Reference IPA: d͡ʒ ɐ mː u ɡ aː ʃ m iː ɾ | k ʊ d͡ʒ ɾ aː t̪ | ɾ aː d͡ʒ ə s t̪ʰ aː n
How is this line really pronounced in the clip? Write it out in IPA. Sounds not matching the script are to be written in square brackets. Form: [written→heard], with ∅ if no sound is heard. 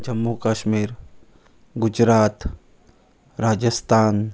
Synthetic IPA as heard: d͡ʒ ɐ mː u [ɡ→k] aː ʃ m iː ɾ | [k→ɡ] ʊ d͡ʒ ɾ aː t̪ | ɾ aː d͡ʒ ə s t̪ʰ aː n

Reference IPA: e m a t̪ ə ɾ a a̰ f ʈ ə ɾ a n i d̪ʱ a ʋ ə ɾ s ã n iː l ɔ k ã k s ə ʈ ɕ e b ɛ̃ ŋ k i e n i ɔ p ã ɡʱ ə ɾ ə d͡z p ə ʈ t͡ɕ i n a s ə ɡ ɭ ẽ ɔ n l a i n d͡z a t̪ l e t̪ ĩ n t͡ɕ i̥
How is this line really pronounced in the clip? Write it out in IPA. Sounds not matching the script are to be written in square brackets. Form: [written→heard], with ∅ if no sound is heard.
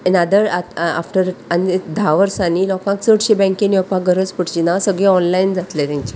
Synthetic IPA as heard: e [m→n] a [t̪→d̪] ə ɾ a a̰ f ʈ ə ɾ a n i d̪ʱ a ʋ ə ɾ s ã n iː l ɔ k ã k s ə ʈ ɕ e b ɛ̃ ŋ k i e n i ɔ p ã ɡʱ ə ɾ ə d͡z p ə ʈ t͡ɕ i n a s ə ɡ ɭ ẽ ɔ n l a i n d͡z a t̪ l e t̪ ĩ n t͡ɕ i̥

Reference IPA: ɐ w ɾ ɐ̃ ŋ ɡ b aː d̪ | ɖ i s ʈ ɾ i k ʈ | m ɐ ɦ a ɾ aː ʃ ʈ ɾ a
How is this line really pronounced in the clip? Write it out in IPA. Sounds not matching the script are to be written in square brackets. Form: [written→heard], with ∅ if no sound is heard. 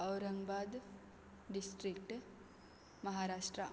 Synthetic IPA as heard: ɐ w ɾ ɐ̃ ŋ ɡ b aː d̪ | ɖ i s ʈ ɾ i k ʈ | m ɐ ɦ a ɾ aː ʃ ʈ ɾ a

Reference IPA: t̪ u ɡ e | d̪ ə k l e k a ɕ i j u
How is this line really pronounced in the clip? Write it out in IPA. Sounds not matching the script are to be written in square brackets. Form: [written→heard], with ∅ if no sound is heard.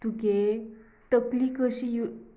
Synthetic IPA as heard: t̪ u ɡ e | [d̪→t̪] ə k l [e→i] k [a→ə] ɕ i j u

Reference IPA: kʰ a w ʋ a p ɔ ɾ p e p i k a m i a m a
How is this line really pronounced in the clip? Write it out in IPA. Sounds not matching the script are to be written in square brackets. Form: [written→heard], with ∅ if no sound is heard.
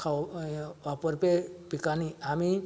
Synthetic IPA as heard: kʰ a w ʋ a p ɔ ɾ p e p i k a [m→n] i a m [a→i]

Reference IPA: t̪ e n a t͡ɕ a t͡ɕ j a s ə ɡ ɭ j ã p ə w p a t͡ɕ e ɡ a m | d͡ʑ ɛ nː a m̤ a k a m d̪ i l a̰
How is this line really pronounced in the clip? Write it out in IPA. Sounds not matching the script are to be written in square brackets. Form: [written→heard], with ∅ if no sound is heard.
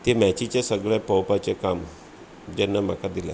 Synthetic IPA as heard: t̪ e [n→m] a t͡ɕ [a→i] t͡ɕ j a s ə ɡ ɭ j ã p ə w p a t͡ɕ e [ɡ→k] a m | d͡ʑ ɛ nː a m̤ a k a [m→∅] d̪ i l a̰

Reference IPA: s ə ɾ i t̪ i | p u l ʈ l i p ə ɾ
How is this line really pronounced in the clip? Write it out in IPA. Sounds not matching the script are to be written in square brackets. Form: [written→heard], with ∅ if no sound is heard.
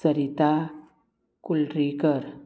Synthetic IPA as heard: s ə ɾ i t̪ [i→a] | [p→k] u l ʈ [l→ɾ] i [p→k] ə ɾ

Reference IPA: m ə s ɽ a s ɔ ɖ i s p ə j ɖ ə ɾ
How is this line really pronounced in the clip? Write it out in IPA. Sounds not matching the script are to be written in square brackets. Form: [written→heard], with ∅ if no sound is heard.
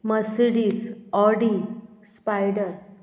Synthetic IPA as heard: m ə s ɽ [a→i] s ɔ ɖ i s p [ə→a] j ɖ ə ɾ

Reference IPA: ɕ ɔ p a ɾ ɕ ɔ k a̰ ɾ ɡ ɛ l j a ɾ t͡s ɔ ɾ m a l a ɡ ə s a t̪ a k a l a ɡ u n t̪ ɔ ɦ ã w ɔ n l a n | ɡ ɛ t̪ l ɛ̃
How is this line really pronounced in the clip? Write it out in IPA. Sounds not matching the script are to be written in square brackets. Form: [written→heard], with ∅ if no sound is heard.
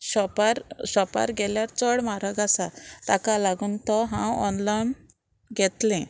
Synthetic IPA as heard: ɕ ɔ p a ɾ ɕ ɔ [k→p] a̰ ɾ ɡ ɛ l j a ɾ t͡s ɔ [ɾ→ɽ] m a [l→ɾ] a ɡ [ə→a] s a t̪ a k a l a ɡ u n t̪ ɔ ɦ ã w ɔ n l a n | ɡ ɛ t̪ l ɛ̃

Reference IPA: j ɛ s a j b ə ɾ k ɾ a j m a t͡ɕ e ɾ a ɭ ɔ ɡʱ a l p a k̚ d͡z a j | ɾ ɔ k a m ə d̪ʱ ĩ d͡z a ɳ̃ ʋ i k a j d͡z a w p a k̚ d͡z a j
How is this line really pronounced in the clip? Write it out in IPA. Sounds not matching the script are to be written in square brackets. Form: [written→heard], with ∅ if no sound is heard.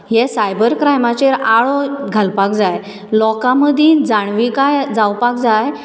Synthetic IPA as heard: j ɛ s a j b ə ɾ k ɾ a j m a t͡ɕ e ɾ a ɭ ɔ ɡʱ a l p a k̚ d͡z a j | [ɾ→l] ɔ k a m ə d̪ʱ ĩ d͡z a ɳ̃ ʋ i k a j d͡z a w p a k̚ d͡z a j

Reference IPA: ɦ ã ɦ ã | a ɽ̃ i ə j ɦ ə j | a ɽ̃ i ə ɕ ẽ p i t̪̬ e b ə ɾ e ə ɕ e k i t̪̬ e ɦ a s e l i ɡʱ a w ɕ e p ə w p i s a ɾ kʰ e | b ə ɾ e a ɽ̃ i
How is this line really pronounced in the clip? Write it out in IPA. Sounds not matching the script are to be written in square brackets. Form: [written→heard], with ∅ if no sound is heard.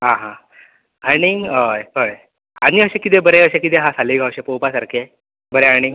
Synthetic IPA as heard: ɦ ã ɦ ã | a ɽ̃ i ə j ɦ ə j | a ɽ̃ i ə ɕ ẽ [p→k] i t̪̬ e b ə ɾ e ə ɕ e k i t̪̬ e ɦ a s [e→a] l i ɡʱ a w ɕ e p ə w p [i→a] s a ɾ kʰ e | b ə ɾ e a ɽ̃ i

